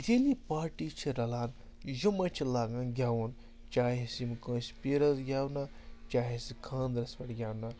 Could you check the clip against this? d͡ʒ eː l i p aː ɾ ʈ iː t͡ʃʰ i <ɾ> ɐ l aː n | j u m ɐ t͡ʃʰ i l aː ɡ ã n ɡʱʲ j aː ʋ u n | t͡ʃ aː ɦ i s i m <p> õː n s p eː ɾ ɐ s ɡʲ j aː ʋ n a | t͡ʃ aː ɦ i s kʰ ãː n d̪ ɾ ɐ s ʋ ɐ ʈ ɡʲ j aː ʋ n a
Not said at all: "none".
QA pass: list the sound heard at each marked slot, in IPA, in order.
ɾ, k

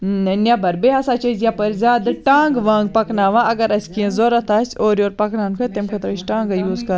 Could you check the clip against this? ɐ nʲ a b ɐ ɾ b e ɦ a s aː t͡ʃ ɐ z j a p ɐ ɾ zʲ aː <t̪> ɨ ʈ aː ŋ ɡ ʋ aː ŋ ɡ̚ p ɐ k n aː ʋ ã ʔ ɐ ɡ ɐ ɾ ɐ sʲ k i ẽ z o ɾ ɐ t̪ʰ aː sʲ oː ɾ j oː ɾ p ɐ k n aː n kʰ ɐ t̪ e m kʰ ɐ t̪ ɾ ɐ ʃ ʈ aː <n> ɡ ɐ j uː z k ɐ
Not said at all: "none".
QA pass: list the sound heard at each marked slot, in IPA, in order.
d̪, ŋ

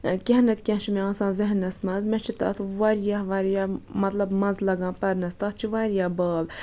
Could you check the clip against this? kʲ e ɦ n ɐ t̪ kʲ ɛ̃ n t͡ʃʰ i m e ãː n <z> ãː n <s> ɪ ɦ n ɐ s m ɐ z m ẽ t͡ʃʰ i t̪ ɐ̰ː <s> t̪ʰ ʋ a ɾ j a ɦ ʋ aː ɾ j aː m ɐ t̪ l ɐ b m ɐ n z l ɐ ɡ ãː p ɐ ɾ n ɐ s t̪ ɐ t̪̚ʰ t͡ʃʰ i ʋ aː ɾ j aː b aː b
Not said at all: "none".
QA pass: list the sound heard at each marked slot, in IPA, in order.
s, z, none

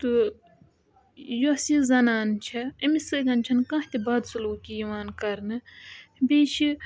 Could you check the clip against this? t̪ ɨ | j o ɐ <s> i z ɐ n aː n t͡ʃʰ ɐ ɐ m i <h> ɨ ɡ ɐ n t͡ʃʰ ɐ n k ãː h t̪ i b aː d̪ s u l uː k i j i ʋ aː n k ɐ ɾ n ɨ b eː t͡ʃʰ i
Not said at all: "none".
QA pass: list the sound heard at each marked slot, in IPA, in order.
s, s

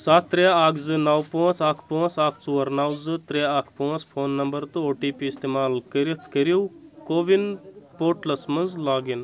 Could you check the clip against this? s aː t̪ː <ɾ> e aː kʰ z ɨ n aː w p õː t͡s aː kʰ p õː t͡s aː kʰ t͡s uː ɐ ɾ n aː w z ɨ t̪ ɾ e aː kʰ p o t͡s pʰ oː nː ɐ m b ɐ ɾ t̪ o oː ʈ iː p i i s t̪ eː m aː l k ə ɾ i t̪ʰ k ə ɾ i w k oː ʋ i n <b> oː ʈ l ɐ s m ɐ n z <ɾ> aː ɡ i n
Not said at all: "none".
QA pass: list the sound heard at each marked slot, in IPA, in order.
ɾ, p, l

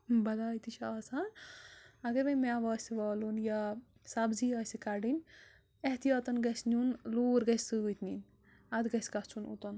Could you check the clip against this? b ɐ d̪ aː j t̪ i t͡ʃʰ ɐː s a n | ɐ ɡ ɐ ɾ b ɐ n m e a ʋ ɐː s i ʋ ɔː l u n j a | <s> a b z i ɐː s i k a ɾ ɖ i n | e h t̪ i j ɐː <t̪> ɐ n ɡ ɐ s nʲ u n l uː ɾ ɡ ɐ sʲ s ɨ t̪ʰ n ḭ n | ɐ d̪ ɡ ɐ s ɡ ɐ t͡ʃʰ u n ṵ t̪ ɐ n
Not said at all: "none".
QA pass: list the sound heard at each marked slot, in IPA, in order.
s, t̪

